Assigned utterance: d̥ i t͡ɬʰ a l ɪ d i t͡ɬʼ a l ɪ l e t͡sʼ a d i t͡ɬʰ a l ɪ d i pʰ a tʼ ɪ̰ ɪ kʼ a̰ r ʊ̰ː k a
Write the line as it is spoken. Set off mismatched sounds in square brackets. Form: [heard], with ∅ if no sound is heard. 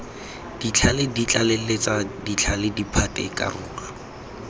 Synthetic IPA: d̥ i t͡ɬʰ a l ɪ d i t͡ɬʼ a l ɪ l e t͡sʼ a d i t͡ɬʰ a l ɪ d i pʰ a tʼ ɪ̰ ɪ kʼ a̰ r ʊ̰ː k a